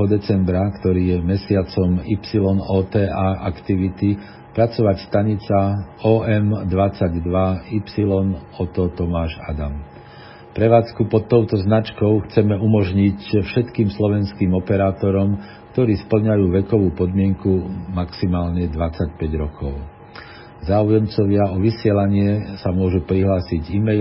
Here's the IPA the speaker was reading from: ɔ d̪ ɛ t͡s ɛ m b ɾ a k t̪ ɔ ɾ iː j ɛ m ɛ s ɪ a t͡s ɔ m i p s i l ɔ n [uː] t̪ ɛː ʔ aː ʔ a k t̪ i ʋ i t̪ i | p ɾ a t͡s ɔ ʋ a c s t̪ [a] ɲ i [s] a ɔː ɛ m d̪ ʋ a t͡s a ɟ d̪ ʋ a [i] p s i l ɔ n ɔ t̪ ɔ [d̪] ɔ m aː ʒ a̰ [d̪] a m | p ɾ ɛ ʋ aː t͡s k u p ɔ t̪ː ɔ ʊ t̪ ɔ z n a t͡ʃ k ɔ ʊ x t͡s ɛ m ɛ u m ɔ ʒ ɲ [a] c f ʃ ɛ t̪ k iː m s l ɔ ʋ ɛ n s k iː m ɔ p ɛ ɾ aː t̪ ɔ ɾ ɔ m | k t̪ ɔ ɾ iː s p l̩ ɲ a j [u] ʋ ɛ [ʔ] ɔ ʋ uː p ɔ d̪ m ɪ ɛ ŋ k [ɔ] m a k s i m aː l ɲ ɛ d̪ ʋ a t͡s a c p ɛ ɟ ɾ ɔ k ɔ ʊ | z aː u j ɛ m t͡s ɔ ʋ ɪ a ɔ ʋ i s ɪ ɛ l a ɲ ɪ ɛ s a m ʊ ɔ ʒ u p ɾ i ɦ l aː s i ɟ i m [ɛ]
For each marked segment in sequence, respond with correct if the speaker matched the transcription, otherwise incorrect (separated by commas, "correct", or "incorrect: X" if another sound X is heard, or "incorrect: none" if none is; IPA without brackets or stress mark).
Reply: incorrect: ɔː, correct, incorrect: t͡s, correct, incorrect: t̪, correct, incorrect: i, incorrect: uː, incorrect: k, incorrect: u, correct